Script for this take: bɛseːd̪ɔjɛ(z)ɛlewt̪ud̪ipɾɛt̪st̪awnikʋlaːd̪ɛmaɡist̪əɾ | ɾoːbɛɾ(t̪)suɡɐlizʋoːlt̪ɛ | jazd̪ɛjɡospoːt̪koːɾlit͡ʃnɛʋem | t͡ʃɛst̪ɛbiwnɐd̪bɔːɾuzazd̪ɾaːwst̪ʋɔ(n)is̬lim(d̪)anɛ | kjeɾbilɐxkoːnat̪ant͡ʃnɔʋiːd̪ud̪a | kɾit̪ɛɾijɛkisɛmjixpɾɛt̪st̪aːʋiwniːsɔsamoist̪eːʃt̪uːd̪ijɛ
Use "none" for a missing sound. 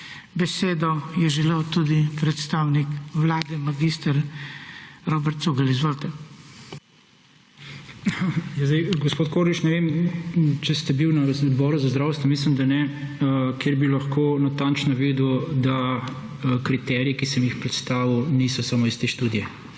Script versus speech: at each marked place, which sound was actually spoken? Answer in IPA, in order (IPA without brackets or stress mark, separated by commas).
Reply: ʒ, t̪, m, d̪